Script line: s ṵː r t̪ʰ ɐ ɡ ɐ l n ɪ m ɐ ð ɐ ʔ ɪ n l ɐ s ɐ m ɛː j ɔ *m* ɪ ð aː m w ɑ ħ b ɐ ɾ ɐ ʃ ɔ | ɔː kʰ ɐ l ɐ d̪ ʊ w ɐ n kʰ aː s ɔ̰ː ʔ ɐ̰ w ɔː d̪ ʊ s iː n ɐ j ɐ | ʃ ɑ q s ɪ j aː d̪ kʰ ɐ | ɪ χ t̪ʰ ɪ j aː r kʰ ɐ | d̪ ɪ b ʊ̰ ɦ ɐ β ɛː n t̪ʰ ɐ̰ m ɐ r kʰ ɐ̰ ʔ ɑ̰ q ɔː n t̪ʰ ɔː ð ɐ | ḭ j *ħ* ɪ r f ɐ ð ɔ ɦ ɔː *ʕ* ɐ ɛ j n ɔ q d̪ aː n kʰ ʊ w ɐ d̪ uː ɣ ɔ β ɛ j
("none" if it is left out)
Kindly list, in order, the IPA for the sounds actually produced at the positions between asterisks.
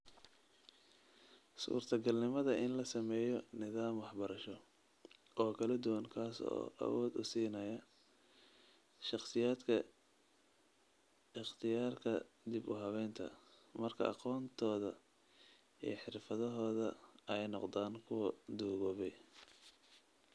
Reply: n, ħ, ð

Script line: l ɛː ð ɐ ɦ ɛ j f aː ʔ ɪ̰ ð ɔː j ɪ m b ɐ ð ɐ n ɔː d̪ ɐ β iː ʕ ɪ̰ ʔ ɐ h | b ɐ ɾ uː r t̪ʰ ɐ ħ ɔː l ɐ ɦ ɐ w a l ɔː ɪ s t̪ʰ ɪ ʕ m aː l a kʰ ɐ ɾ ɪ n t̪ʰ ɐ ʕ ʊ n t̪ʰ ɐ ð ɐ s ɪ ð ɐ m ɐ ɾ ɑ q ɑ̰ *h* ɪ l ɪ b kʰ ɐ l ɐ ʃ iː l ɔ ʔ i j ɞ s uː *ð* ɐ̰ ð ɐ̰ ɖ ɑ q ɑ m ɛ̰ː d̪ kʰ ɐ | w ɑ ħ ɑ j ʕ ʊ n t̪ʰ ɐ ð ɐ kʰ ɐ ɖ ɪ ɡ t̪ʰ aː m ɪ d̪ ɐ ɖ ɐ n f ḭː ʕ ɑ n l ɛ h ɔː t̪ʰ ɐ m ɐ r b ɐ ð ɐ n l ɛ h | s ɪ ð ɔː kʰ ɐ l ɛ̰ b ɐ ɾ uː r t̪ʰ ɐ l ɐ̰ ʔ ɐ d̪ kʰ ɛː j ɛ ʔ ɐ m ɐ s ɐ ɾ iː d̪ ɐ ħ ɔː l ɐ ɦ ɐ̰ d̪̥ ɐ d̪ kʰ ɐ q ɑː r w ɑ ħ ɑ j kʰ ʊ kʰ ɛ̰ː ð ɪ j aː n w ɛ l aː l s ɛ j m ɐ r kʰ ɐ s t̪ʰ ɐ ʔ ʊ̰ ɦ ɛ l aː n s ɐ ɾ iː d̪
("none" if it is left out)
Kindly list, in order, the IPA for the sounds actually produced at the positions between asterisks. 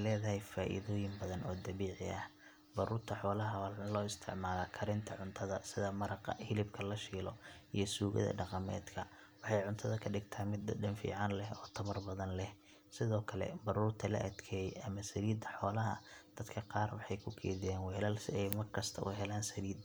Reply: h, ɣ

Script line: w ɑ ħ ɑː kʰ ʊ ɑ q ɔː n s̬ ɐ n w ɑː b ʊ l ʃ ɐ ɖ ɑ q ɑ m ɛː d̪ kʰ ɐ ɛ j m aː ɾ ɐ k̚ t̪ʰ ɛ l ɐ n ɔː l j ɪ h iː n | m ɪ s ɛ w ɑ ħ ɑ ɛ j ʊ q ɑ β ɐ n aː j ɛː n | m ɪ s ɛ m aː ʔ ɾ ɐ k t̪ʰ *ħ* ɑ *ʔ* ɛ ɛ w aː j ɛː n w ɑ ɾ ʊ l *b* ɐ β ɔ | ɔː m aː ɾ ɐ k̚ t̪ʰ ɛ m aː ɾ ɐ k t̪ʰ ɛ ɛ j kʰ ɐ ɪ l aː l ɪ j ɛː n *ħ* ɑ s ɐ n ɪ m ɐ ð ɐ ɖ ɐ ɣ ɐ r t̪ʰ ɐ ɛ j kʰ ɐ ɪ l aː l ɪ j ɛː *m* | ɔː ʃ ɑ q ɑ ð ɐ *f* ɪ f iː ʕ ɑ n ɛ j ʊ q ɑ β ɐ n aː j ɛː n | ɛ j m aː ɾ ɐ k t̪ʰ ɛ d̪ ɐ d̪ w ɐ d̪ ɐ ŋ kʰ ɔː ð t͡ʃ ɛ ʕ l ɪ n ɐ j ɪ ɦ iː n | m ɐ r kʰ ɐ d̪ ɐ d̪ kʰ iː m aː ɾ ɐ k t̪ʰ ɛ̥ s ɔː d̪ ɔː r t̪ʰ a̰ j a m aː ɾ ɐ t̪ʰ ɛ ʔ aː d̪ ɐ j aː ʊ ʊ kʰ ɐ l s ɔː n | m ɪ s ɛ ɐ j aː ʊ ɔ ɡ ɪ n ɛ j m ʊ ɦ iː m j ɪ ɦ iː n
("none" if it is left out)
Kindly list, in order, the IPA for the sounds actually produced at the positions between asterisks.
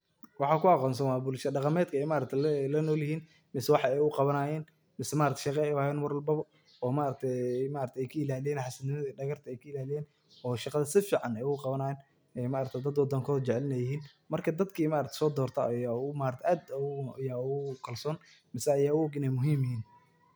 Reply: ʃ, q, b, ħ, n, s

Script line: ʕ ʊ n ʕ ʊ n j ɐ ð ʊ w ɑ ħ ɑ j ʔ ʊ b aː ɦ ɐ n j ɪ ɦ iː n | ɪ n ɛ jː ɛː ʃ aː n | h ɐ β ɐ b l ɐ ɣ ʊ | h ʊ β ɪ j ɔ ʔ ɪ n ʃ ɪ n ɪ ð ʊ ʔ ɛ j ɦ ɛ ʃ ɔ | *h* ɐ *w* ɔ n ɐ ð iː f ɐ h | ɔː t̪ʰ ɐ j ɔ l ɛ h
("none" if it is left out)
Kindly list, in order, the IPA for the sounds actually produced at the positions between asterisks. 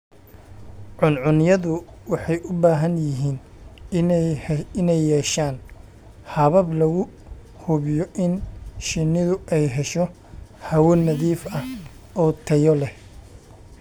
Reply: h, w

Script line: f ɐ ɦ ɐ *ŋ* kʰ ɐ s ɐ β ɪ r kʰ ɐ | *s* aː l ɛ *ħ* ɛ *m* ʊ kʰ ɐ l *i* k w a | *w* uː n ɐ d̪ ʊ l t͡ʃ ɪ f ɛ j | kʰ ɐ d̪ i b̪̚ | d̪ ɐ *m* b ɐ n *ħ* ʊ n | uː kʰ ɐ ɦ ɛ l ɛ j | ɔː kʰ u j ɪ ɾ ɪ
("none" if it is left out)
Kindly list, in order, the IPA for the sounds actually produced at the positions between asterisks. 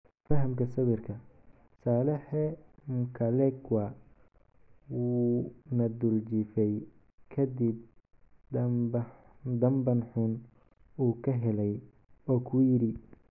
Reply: m, s, ħ, m, ɛ, w, m, ħ

